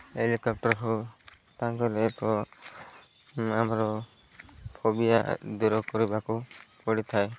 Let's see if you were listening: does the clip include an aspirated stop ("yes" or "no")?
yes